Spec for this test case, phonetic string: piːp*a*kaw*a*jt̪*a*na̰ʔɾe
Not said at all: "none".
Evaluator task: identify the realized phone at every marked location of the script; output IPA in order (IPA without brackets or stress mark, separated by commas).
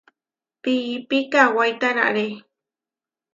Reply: i, a, a